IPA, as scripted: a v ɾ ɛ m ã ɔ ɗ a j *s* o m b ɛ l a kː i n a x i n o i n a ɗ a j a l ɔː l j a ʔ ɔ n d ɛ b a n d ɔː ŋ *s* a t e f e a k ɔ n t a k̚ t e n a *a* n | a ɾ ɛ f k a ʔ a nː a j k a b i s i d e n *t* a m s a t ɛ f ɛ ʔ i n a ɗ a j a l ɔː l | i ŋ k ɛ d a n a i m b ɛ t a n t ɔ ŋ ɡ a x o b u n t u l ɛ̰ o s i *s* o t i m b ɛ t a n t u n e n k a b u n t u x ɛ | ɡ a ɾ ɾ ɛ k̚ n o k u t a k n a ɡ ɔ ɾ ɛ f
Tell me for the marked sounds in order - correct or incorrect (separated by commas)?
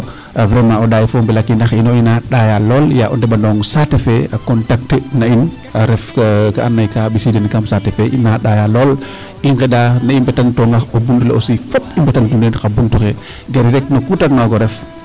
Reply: incorrect, correct, incorrect, incorrect, incorrect